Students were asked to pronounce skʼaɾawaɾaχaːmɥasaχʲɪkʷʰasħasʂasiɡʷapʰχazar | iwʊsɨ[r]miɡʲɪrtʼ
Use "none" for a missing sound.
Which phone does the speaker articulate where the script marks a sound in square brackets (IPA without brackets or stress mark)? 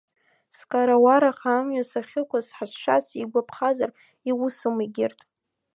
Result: none